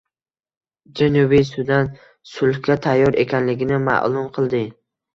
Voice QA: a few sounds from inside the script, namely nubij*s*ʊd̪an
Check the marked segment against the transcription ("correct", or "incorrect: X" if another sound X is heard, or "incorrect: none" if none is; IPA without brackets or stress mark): correct